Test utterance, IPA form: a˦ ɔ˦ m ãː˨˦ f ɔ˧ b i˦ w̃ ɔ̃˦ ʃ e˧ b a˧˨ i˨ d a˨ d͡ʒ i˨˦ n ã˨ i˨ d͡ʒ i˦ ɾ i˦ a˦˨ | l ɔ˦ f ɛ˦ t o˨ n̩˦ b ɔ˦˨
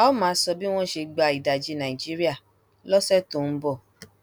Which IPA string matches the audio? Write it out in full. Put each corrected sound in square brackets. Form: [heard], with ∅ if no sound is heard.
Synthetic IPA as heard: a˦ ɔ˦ m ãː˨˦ [s] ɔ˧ b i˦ w̃ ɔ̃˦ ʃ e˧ [ɡ͡b] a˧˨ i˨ d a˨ d͡ʒ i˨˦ n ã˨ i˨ d͡ʒ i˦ ɾ i˦ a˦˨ | l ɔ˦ [s] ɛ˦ t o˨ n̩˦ b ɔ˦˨